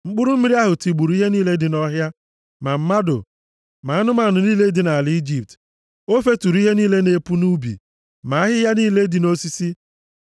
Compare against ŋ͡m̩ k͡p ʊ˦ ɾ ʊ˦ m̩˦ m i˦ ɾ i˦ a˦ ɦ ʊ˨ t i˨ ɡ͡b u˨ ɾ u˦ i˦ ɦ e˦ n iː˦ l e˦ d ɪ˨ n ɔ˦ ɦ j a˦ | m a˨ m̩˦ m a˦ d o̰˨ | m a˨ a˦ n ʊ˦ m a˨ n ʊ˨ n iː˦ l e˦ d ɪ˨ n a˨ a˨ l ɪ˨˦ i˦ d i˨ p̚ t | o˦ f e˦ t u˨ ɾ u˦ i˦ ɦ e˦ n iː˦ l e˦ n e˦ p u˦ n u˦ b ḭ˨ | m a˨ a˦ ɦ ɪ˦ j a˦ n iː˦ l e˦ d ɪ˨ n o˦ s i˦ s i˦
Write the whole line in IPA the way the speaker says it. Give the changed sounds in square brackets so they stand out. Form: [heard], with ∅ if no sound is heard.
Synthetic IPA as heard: ŋ͡m̩ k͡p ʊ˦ ɾ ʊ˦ m̩˦ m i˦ ɾ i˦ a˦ ɦ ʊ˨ t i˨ ɡ͡b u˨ ɾ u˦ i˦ ɦ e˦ n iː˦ l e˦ d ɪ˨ n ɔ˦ ɦ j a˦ | m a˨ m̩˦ m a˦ d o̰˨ | m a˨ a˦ n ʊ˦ m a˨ n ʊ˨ n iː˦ l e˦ d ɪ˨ n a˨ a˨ l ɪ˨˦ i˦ [d͡ʒ] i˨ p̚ t | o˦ f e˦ t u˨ ɾ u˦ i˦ ɦ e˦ n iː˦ l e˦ n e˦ p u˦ n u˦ b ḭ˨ | m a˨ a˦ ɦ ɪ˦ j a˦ n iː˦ l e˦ d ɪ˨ n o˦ s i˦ s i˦